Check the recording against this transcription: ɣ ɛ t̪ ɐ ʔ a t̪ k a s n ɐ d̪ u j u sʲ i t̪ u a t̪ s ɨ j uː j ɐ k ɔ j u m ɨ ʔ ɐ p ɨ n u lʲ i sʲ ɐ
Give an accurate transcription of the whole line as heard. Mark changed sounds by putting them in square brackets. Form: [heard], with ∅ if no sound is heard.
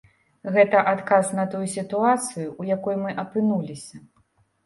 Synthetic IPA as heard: ɣ ɛ t̪ ɐ ʔ a t̪ k a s n ɐ [t̪] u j u sʲ i t̪ u a t̪ s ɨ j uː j [a] k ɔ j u m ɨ ʔ ɐ p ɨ n u lʲ i sʲ ɐ